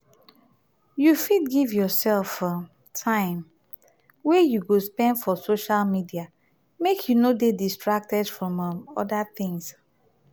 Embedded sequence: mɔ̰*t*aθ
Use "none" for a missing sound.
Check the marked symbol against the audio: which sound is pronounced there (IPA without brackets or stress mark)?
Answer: d